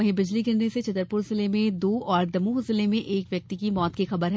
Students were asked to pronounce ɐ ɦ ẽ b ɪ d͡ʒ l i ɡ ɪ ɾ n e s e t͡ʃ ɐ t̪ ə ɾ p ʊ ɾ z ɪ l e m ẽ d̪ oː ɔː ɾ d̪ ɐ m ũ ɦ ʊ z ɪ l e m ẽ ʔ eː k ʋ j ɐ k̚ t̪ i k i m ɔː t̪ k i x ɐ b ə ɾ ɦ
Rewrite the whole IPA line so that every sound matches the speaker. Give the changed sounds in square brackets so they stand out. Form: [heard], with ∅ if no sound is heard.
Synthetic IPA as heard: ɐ ɦ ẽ b ɪ d͡ʒ l i ɡ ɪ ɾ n e s e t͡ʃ ɐ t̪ ə ɾ p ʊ ɾ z ɪ l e m ẽ d̪ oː ɔː ɾ d̪ ɐ m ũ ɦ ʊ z ɪ l e m ẽ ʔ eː k ʋ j ɐ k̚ t̪ i k i m ɔː t̪ k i x ɐ b ə ɾ ɦ